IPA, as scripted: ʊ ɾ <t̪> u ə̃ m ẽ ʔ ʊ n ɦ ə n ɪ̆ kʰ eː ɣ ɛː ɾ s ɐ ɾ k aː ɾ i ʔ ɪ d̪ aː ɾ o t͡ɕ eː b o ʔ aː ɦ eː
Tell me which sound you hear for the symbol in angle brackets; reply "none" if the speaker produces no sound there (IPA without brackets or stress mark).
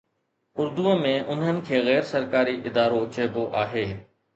d̪